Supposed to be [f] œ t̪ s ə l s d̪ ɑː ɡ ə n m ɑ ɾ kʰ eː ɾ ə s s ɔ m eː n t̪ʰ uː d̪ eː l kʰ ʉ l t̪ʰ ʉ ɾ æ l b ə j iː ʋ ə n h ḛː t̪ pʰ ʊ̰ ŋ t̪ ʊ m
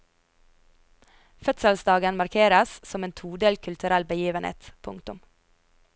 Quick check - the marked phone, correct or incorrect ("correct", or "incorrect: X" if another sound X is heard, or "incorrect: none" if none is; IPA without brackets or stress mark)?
correct